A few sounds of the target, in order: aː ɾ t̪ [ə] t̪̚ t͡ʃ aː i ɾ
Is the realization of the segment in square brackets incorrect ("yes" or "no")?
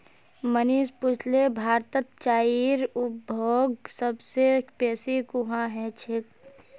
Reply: no